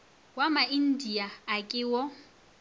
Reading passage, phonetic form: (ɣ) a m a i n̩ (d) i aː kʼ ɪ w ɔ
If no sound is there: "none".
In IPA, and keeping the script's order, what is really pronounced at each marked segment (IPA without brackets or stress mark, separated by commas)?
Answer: w, d